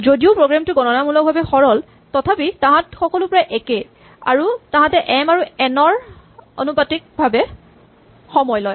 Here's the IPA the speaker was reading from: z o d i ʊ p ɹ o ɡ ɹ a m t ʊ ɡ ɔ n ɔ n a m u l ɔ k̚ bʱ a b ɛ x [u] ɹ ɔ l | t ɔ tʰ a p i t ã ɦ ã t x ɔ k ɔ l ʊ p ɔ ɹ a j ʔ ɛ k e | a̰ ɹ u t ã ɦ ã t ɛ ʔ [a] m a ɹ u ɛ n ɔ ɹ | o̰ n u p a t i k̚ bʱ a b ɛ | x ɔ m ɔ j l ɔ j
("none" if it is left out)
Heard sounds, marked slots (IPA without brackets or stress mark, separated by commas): ɔ, ɛ